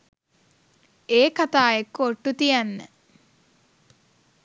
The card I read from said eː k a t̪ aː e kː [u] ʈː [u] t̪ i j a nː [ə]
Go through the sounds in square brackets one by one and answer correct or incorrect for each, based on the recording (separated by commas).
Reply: incorrect, correct, correct